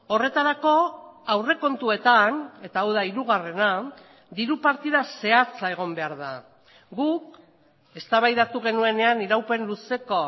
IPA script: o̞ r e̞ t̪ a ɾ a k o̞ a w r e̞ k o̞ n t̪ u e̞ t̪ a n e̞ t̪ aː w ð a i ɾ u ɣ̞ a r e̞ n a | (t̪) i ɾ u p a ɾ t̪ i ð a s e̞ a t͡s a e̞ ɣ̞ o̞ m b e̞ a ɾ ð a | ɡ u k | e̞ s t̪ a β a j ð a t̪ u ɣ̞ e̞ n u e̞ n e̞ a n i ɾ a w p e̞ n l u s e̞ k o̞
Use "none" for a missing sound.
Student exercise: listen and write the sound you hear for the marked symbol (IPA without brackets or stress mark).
d̪